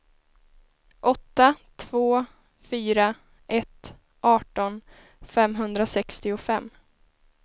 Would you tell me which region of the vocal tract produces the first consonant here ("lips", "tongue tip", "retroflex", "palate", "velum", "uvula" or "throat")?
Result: throat